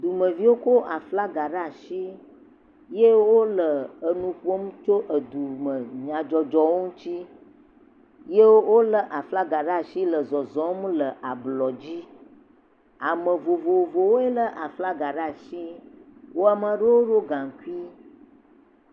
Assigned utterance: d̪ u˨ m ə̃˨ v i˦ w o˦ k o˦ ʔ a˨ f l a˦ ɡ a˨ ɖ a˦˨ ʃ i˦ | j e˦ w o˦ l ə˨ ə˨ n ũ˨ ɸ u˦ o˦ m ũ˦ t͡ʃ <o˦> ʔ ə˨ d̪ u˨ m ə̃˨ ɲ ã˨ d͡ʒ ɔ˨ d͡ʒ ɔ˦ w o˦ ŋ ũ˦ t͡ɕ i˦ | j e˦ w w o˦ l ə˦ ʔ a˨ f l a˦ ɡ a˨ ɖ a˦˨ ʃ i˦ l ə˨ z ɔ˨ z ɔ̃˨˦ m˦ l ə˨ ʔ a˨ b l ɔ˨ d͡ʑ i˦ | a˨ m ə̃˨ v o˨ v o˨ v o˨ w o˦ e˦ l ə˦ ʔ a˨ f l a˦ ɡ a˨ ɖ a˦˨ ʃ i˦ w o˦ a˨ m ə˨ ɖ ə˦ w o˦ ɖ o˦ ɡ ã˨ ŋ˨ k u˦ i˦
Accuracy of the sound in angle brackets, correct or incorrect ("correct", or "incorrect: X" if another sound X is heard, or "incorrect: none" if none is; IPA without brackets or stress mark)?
correct